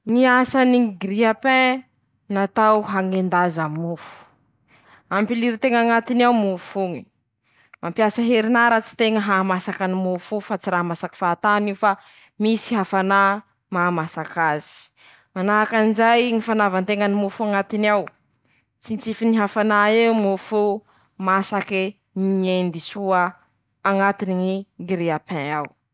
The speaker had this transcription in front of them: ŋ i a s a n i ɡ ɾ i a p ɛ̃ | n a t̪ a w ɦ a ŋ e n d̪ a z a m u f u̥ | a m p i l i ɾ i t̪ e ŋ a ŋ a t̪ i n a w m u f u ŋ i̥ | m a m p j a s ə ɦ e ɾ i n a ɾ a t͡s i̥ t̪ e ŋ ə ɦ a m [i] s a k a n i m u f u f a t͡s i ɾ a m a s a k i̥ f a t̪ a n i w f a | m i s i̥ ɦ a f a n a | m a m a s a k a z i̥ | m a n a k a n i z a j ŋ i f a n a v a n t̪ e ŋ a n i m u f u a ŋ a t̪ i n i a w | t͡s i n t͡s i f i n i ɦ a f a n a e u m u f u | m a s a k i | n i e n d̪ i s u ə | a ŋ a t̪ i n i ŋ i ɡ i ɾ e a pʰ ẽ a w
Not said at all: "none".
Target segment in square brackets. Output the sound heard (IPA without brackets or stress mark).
a